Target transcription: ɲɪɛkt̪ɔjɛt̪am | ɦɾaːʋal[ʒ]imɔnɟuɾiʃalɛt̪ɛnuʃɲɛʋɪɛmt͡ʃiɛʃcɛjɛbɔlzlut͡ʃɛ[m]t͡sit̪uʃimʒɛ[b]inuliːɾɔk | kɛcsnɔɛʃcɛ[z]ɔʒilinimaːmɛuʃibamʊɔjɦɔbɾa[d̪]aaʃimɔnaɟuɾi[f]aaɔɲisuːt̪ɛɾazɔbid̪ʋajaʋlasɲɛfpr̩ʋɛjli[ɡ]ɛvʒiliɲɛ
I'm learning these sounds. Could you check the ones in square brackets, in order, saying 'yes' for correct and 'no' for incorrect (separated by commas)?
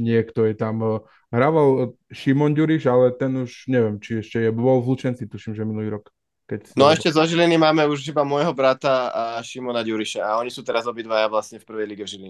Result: no, no, no, yes, no, no, yes